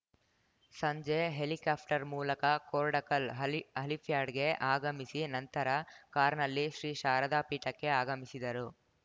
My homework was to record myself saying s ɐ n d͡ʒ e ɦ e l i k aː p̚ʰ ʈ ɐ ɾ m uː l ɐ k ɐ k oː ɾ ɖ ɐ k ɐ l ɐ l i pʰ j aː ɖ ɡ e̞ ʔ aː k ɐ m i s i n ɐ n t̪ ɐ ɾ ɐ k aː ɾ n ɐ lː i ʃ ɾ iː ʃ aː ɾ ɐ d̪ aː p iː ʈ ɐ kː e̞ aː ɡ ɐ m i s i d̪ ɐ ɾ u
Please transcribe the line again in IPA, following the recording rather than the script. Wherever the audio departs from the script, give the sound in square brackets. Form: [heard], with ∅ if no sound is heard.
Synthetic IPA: s ɐ [ɲ] d͡ʒ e ɦ e l i k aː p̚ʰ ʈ ɐ ɾ m uː l ɐ k ɐ k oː ɾ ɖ ɐ k ɐ l ɐ l i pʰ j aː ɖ ɡ e̞ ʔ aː [ɡ] ɐ m i s i n ɐ n t̪ ɐ ɾ ɐ k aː ɾ n ɐ lː i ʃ ɾ iː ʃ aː ɾ ɐ d̪ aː p iː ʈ ɐ kː e̞ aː ɡ ɐ m i s i d̪ ɐ ɾ u